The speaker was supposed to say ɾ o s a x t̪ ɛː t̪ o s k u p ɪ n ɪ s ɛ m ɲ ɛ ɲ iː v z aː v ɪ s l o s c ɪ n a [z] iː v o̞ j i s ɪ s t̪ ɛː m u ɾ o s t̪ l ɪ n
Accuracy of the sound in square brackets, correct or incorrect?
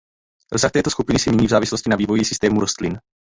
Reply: incorrect